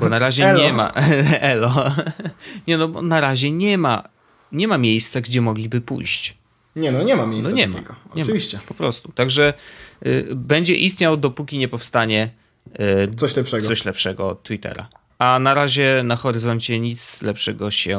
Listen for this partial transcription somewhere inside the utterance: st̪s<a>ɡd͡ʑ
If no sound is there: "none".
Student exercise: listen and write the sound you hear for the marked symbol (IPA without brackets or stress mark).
a